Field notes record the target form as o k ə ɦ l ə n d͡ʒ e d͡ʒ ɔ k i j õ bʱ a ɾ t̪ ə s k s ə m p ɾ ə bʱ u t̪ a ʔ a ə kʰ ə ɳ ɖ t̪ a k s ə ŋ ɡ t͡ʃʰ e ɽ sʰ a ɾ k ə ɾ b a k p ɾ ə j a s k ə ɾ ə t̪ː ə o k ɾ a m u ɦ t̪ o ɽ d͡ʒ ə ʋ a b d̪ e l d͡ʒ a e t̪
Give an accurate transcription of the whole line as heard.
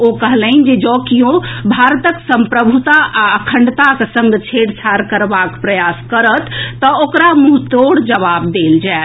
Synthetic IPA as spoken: o k ə ɦ l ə n d͡ʒ e d͡ʒ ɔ k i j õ bʱ a ɾ t̪ ə k s ə m p ɾ ə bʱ u t̪ a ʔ a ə kʰ ə ɳ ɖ t̪ a k s ə ŋ ɡ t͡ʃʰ e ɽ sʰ a ɾ k ə ɾ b a k p ɾ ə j a s k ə ɾ ə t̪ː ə o k ɾ a m u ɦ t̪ o ɽ d͡ʒ ə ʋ a b d̪ e l d͡ʒ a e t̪